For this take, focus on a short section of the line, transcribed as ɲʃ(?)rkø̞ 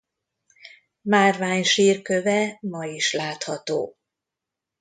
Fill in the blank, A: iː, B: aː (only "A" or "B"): A